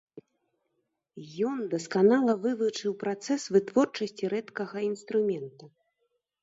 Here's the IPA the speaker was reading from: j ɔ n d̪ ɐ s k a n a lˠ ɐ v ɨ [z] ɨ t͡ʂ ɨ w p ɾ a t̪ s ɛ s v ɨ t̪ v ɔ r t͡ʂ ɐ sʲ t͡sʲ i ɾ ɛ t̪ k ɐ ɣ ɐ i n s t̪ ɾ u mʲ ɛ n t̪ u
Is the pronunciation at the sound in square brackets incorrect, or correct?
incorrect